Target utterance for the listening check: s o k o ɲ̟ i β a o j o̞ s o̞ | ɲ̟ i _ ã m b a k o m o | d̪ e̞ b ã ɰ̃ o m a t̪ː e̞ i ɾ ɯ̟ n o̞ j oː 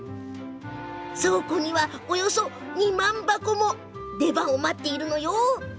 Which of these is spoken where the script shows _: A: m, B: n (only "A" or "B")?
A